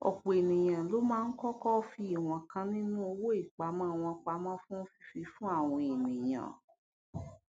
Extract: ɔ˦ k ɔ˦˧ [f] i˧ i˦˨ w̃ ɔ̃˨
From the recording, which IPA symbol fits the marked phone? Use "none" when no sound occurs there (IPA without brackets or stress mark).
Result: f